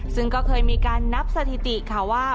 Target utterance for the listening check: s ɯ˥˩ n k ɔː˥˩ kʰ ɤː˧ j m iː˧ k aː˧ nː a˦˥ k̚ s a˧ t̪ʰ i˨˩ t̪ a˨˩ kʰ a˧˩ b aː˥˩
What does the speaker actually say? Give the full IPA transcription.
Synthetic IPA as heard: s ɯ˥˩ ŋ k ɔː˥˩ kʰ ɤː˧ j m iː˧ k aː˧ nː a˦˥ p̚ s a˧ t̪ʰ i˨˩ t̪ i˨˩ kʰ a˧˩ w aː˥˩